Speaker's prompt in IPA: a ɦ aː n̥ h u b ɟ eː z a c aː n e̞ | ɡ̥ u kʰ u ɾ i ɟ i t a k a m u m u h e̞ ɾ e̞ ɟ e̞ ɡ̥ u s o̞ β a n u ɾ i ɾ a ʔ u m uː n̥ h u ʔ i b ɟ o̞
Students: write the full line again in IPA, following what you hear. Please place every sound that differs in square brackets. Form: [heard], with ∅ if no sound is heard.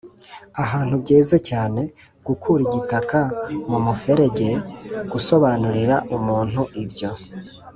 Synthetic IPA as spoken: a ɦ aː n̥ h u b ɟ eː z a c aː n e̞ | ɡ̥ u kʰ u ɾ i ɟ i t a k a m u m u [f] e̞ ɾ e̞ ɟ e̞ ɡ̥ u s o̞ β a n u ɾ i ɾ a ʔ u m uː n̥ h u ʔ i b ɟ o̞